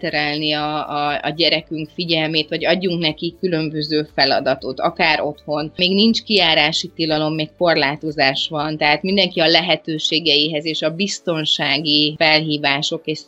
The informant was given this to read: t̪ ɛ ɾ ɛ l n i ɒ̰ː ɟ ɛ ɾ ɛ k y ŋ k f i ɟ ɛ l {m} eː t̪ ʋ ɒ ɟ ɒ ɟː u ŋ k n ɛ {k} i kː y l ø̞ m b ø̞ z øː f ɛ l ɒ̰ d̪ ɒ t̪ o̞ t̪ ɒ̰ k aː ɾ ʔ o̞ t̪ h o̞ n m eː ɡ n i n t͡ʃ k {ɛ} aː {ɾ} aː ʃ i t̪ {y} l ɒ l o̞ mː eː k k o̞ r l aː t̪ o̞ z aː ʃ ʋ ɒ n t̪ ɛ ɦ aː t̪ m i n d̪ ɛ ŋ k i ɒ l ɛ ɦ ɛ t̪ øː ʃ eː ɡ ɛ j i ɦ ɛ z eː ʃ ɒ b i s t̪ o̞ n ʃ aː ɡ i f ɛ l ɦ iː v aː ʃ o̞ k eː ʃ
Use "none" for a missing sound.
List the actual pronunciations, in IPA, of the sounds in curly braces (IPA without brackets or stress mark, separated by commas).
m, k, i, ɾ, i